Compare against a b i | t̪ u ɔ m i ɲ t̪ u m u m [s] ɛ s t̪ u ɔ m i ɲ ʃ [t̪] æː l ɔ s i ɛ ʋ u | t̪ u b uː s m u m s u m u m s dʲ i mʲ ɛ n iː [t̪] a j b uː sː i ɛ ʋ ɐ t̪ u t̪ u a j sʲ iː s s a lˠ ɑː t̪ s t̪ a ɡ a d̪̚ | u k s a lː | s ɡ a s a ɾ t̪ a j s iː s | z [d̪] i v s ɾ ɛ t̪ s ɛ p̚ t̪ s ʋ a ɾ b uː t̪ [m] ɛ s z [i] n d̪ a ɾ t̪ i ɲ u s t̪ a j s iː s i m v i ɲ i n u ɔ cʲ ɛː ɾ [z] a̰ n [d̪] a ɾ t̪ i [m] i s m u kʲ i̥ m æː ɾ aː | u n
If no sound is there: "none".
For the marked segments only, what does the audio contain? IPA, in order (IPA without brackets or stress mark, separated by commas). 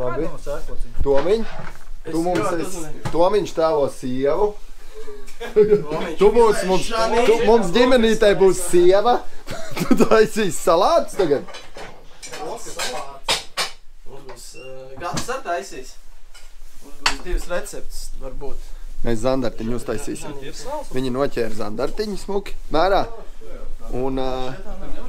s, t̪, t̪, d̪, m, a, z, d̪, ɲ